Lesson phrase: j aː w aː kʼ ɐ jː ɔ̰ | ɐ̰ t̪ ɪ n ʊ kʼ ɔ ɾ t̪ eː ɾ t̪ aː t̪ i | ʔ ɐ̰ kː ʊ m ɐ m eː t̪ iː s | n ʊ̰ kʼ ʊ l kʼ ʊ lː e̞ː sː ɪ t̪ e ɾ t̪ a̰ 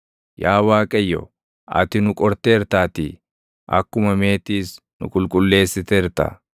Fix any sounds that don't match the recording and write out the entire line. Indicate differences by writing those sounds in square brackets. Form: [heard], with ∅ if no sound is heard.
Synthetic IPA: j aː w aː kʼ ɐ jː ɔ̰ | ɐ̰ t̪ ɪ n ʊ kʼ ɔ ɾ t̪ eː ɾ t̪ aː t̪ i | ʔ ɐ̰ kː ʊ m ɐ m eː t̪ iː s | n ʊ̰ kʼ ʊ l kʼ ʊ lː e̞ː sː ɪ t̪ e ɾ t̪ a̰

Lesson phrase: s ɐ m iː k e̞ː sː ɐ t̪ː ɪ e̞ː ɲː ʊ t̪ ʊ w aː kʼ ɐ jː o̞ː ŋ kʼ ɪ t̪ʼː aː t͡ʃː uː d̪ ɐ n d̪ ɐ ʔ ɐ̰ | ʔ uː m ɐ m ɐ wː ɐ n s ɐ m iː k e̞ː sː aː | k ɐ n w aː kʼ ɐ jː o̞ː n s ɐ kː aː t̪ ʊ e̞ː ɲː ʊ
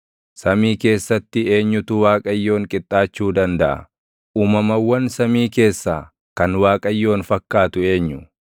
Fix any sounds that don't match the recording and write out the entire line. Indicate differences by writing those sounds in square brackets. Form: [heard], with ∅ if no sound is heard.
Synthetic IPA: s ɐ m iː k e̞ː sː ɐ t̪ː ɪ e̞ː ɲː ʊ t̪ ʊ w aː kʼ ɐ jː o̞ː ŋ kʼ ɪ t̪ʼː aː t͡ʃː uː d̪ ɐ n d̪ ɐ ʔ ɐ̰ | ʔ uː m ɐ m ɐ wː ɐ n s ɐ m iː k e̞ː sː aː | k ɐ n w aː kʼ ɐ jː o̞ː n [f] ɐ kː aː t̪ ʊ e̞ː ɲː ʊ

